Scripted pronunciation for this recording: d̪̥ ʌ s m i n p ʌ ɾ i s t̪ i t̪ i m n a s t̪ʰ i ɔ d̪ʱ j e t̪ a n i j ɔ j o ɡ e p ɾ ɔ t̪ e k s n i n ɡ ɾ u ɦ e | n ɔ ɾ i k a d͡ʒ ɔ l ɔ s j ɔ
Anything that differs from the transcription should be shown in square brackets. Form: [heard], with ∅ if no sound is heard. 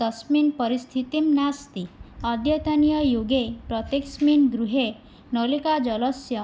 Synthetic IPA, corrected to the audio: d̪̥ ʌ s m i n p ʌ ɾ i s [t̪ʰ] i t̪ i m n a s [t̪] i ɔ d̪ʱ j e t̪ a n i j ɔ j o ɡ e p ɾ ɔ t̪ e k s [m] i n ɡ ɾ u ɦ e | n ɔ [l] i k a d͡ʒ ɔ l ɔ s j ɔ